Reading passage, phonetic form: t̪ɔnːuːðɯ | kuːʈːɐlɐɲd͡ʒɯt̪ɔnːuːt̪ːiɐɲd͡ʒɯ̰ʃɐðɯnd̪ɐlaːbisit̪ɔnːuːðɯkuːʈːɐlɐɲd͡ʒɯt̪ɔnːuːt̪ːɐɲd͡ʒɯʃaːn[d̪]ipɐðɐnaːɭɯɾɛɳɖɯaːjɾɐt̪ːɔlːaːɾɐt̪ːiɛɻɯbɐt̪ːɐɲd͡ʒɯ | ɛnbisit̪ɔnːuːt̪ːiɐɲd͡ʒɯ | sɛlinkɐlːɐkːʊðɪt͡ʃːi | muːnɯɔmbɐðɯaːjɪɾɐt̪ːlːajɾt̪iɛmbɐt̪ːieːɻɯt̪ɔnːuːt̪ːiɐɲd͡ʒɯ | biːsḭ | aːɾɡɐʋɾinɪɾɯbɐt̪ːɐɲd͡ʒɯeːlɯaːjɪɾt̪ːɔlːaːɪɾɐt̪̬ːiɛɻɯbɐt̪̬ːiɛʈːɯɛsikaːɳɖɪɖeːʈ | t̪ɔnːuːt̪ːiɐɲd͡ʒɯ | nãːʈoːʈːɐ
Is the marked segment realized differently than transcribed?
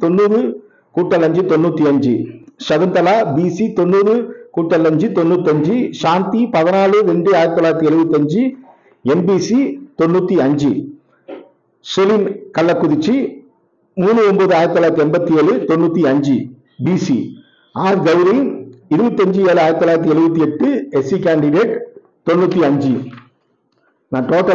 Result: yes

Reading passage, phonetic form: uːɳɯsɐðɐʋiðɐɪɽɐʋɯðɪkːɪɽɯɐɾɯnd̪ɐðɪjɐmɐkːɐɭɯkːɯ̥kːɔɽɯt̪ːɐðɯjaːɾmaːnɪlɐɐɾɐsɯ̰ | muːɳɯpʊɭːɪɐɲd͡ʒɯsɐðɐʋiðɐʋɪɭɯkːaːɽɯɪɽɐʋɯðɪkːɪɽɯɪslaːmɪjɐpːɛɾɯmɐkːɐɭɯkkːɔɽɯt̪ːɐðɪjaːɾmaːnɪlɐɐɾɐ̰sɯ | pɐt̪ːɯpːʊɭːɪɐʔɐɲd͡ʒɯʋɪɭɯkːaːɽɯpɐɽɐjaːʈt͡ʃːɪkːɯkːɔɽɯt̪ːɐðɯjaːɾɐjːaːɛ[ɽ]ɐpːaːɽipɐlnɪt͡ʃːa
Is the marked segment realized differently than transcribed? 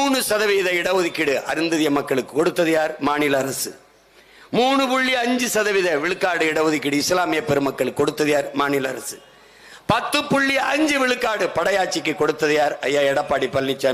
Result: no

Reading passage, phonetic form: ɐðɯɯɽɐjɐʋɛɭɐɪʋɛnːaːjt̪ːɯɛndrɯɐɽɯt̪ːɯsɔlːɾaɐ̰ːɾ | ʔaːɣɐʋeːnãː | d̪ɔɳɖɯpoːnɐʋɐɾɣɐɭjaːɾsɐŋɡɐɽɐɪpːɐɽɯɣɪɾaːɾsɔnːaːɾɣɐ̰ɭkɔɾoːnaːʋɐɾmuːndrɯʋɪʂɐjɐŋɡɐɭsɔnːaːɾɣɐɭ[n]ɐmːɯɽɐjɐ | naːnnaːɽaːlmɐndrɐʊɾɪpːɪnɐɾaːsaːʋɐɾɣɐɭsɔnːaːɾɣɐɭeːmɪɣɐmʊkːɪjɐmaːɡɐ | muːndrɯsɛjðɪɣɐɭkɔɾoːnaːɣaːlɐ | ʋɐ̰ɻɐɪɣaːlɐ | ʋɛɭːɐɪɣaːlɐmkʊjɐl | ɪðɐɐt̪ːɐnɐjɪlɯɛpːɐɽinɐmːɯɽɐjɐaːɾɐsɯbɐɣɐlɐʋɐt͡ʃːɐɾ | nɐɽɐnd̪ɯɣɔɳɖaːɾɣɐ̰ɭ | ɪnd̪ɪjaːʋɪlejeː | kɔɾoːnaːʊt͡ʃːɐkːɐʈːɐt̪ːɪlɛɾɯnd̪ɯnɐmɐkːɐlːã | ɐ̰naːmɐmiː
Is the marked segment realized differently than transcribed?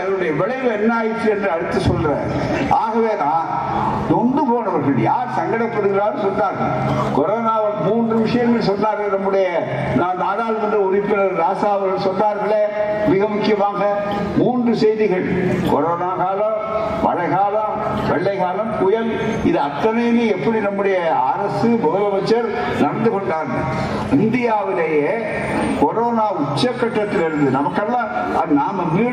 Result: no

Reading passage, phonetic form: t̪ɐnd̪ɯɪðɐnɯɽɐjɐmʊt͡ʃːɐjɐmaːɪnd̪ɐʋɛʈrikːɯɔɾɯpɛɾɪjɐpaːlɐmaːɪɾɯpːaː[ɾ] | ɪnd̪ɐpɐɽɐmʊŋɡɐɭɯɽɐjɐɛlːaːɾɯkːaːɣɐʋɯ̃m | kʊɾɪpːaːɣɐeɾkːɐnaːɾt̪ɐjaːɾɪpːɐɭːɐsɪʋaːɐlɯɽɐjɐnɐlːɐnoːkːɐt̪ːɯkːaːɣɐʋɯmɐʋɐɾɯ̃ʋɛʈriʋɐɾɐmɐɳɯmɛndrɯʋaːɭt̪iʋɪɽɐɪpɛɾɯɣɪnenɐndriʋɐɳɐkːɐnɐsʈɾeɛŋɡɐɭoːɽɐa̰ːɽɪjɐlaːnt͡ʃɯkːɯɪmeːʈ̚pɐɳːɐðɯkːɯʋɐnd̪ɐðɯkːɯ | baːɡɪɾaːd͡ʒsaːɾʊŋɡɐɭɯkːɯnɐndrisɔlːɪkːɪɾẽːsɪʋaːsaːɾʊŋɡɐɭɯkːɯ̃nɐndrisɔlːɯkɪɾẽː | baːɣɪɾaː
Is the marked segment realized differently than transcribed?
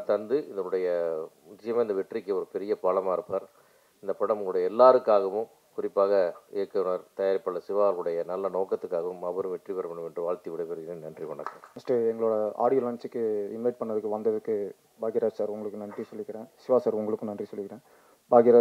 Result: no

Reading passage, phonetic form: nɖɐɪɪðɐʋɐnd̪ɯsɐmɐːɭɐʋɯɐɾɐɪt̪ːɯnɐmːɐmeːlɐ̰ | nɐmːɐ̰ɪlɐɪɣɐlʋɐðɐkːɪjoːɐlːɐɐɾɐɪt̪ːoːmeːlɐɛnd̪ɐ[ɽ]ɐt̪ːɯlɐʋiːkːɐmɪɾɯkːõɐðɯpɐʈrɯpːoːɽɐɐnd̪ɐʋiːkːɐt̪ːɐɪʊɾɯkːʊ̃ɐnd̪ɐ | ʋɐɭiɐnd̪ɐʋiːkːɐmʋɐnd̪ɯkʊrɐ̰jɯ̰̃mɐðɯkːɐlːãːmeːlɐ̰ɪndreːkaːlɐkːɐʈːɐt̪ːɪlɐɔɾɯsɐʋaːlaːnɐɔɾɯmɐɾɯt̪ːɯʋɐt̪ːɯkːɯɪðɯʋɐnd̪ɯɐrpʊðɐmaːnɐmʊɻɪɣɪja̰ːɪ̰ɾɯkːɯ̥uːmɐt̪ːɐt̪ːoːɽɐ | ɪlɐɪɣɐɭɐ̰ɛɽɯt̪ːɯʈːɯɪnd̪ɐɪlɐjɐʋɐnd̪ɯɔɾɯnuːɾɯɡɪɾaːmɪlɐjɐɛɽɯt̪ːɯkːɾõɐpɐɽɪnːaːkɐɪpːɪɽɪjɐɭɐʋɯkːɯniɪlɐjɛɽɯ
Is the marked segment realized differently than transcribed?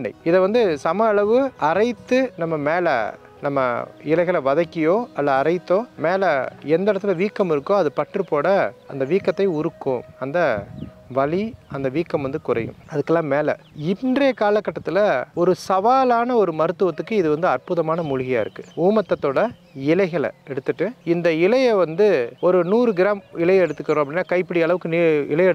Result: no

